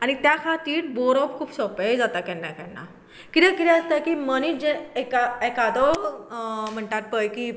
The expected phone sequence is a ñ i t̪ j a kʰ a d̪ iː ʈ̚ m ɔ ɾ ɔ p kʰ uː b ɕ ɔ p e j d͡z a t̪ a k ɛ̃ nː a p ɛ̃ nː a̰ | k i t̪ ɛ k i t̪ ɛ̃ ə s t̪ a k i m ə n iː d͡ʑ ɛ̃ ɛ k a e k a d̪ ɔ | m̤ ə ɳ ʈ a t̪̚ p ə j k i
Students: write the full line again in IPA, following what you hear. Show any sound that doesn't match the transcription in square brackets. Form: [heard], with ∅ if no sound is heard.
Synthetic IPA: a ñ i t̪ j a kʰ a [t̪] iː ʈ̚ [b] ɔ ɾ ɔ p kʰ uː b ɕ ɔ p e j d͡z a t̪ a k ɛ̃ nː a [k] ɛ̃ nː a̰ | k i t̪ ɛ k i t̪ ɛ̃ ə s t̪ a k i m ə n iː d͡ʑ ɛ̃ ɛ k a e k a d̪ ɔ | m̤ ə ɳ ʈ a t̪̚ p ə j k i